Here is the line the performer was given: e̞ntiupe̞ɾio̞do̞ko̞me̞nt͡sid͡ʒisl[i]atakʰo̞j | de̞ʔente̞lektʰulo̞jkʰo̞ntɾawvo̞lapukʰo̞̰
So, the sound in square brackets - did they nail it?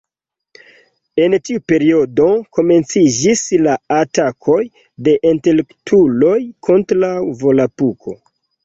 no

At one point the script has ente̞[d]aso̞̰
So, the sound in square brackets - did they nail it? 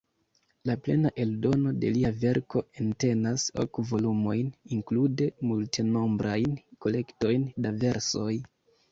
no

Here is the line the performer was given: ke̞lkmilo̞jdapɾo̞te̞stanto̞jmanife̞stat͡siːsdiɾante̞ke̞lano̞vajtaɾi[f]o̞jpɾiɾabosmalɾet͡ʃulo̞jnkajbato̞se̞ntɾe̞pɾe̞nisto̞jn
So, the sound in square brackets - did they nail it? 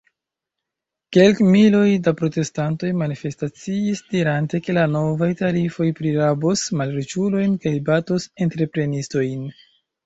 yes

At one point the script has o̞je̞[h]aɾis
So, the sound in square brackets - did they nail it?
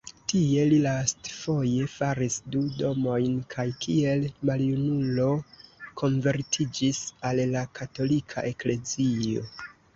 no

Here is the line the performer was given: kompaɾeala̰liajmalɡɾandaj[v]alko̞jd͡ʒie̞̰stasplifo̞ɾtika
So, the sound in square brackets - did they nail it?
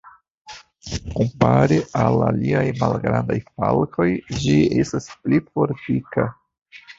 no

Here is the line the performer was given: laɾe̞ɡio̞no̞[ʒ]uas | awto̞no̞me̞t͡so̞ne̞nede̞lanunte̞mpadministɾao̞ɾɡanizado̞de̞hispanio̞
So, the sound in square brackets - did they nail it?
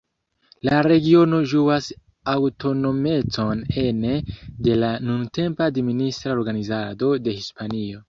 yes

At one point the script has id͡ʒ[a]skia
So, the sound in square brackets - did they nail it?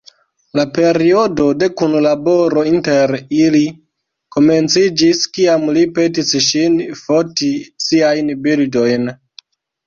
no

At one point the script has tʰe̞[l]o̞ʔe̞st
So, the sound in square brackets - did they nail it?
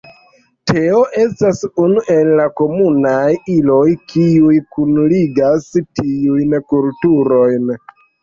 no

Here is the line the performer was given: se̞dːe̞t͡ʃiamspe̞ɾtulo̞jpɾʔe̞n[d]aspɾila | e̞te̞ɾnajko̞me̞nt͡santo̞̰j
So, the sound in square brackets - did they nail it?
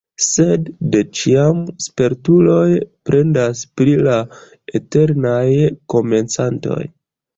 yes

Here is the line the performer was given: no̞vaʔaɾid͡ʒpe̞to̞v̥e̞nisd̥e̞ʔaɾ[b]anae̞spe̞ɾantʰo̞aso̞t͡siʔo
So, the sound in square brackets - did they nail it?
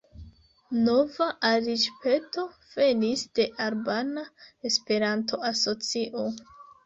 yes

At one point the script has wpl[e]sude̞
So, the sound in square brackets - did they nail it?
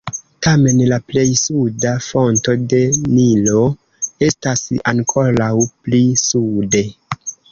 no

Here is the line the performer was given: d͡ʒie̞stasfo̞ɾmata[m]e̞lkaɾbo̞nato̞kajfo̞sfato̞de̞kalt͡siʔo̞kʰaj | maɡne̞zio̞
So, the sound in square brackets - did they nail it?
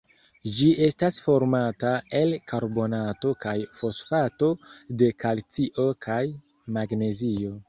no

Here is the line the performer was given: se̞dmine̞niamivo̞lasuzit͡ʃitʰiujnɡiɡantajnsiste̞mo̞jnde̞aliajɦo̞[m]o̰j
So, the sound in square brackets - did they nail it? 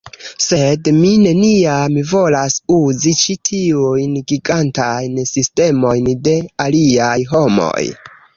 yes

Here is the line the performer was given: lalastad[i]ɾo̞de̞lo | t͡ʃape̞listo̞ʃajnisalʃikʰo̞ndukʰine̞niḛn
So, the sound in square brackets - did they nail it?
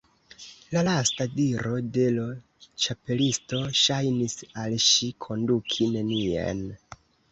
yes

